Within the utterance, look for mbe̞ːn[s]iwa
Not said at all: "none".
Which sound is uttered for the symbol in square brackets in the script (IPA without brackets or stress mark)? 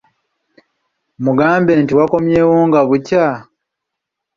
t